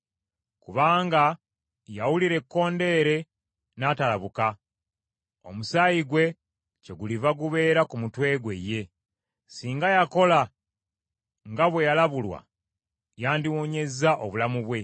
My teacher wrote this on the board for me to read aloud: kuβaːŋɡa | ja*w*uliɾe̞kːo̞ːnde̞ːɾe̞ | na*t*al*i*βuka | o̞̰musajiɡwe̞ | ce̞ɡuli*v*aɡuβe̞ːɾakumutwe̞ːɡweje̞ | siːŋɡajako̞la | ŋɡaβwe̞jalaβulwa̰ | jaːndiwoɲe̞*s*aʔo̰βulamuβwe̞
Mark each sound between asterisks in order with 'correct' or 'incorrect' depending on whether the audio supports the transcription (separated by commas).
correct, correct, incorrect, correct, incorrect